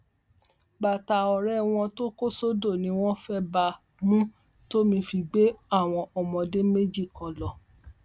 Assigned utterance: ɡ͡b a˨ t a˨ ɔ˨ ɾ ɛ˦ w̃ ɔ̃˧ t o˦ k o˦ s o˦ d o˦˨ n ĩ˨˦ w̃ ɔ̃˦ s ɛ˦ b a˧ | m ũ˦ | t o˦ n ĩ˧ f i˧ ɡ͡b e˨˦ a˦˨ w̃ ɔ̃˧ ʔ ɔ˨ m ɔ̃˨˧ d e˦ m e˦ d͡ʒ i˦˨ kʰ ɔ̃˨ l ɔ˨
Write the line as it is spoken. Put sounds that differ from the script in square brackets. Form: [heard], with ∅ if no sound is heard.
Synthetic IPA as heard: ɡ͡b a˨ t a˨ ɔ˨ ɾ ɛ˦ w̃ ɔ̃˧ t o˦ k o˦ s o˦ d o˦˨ n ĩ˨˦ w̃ ɔ̃˦ [f] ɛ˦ b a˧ | m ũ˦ | t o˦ [m] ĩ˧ f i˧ ɡ͡b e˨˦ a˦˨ w̃ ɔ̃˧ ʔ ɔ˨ m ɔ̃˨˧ d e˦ m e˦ d͡ʒ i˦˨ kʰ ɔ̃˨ l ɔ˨